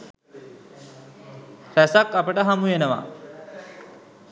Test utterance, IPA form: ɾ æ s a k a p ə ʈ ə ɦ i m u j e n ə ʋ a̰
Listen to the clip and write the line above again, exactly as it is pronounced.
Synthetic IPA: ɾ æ s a k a p ə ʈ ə ɦ a m u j e n ə ʋ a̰

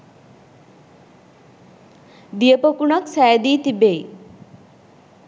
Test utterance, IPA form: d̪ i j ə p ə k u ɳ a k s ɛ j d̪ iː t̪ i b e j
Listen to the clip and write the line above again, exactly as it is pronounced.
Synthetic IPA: d̪ i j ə p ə k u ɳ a k s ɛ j d̪ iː t̪ i b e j

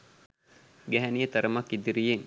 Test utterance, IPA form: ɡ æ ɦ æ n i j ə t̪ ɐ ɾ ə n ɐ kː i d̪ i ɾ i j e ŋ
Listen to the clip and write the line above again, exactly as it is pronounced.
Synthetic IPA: ɡ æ ɦ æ n i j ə t̪ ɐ ɾ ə m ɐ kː i d̪ i ɾ i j e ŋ

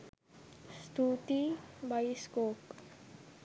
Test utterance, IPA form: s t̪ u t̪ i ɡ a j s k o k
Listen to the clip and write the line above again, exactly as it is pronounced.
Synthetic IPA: s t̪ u t̪ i b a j s k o k

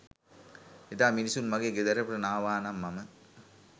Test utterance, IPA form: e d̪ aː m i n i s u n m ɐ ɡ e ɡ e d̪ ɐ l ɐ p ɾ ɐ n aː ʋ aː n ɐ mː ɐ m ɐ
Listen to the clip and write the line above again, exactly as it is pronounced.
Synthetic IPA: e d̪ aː m i n i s u n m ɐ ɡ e ɡ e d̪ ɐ ɾ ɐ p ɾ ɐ n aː ʋ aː n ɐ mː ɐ m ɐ

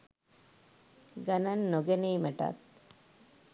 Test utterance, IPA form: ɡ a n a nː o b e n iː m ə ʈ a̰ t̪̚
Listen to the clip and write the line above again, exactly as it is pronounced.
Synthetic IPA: ɡ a n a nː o ɡ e n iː m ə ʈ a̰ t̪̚

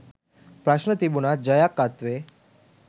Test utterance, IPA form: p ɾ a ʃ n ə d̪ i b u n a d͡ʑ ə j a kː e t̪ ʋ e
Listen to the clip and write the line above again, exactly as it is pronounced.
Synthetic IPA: p ɾ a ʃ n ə t̪ i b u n a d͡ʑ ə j a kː a t̪ ʋ e

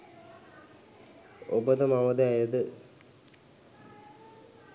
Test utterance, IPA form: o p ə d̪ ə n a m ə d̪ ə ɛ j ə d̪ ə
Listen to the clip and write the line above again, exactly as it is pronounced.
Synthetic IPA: o b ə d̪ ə m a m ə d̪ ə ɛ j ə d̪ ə

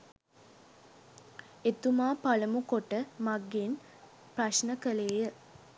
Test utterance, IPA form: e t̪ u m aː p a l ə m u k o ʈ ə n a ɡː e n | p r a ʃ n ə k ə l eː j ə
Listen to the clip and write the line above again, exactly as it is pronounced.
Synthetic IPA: e t̪ u m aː p a l ə m u k o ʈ ə m a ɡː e n | p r a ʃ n ə k ə l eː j ə

